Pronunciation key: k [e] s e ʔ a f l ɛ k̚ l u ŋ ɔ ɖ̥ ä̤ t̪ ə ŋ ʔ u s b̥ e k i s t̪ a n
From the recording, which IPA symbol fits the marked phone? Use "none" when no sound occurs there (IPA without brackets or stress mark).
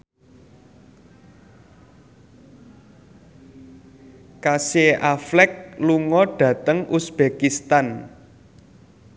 a